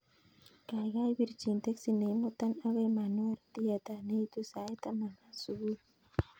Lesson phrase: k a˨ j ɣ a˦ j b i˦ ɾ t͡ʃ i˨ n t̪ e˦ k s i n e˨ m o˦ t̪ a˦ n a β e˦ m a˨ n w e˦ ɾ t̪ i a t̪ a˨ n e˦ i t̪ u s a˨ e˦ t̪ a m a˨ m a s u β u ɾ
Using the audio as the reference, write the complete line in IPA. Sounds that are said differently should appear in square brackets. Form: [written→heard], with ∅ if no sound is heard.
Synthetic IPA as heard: k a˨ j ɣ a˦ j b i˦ ɾ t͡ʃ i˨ n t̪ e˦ k s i n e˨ m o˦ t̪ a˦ n a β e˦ m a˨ n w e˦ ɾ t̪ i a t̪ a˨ n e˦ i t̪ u s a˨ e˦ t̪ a m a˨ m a s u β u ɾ